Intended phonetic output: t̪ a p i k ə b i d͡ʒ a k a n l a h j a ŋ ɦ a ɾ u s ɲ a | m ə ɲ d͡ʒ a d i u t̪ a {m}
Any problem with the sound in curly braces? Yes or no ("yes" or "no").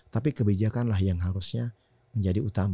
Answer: no